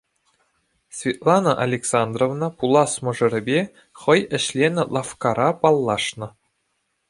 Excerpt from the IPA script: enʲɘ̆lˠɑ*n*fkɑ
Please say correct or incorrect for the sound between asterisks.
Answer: incorrect